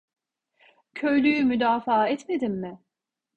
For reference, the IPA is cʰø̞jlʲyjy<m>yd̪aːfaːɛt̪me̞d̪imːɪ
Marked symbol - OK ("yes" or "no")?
yes